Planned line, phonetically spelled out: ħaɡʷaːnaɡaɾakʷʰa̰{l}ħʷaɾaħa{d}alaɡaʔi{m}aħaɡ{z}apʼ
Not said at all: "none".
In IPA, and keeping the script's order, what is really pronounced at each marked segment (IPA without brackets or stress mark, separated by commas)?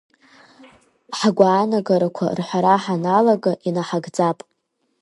r, n, n, d͡z